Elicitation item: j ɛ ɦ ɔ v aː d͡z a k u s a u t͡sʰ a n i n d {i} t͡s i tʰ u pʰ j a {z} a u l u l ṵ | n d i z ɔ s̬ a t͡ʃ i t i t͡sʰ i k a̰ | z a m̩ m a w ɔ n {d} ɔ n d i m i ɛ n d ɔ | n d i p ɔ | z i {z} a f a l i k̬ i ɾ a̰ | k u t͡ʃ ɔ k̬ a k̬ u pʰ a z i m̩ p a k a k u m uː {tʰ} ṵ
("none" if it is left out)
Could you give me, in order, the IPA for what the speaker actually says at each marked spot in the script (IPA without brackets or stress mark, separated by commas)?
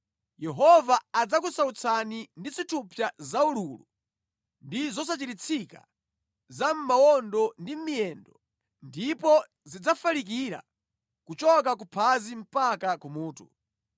i, z, d, d͡z, t